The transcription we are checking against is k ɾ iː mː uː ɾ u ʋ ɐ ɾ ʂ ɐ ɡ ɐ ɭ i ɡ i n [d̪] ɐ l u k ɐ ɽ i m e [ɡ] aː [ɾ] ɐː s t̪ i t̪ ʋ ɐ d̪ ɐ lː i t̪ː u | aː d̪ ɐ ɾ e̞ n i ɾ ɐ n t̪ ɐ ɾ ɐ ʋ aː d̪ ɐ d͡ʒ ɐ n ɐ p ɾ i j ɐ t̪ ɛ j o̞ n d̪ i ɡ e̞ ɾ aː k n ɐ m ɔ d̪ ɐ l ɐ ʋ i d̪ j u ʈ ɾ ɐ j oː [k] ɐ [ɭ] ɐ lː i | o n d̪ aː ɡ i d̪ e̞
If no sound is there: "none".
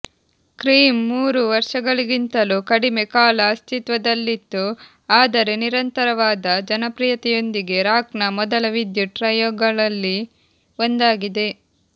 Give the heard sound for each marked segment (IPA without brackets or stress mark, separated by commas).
t̪, k, l, ɡ, ɭ